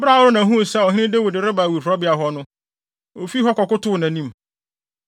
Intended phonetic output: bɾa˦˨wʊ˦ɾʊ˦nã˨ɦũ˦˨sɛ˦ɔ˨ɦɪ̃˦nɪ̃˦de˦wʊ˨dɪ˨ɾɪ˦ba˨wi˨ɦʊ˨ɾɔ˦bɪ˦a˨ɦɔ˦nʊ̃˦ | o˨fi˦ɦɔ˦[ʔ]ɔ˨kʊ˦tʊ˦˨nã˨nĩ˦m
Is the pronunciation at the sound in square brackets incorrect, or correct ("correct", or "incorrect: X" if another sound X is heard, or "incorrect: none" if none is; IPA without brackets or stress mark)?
incorrect: k